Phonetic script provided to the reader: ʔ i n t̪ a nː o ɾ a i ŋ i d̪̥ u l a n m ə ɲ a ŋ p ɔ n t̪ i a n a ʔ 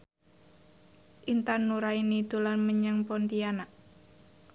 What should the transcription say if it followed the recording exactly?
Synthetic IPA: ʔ i n t̪ a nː u ɾ a i n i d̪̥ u l a n m ə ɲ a ŋ p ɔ n t̪ i a n a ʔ